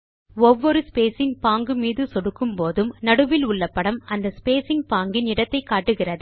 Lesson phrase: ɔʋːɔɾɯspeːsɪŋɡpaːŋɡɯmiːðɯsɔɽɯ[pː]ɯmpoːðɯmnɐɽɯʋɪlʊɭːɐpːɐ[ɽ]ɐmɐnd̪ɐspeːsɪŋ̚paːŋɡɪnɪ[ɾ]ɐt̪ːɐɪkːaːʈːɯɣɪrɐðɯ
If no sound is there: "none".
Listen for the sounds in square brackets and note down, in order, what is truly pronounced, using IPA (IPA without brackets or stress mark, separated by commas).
kː, ɽ, ɽ